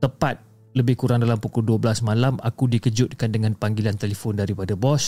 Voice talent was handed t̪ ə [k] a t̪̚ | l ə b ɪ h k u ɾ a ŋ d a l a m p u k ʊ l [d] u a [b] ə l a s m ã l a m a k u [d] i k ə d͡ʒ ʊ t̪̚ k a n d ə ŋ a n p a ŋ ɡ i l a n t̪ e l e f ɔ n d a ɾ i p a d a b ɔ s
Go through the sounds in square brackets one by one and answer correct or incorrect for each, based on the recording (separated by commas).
incorrect, correct, correct, correct